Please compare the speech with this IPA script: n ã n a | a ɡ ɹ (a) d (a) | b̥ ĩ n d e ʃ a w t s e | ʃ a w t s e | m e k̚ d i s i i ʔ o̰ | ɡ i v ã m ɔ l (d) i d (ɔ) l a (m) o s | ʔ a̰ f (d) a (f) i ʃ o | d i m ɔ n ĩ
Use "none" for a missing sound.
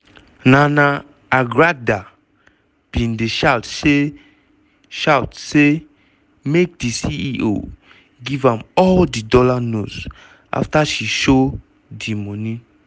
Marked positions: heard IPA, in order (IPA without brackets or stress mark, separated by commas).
a, a, d, ɔ, n, t, ʃ